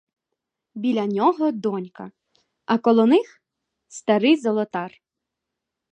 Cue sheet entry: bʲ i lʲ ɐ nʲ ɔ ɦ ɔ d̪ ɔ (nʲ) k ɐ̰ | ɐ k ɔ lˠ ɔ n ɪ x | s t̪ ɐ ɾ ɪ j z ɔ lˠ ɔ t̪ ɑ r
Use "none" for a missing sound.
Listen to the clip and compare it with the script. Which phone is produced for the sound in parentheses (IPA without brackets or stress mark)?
nʲ